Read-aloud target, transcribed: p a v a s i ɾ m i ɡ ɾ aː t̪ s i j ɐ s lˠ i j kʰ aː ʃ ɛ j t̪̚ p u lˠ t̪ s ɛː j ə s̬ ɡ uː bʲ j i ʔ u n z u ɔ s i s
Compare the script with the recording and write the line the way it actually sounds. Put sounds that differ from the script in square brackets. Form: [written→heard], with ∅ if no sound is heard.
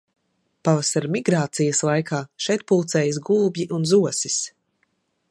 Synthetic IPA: p a v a s [i→a] ɾ m i ɡ ɾ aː t̪ s i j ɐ s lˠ [i→a] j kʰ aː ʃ ɛ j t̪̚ p u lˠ t̪ s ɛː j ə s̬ ɡ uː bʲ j i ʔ u n z u ɔ s i s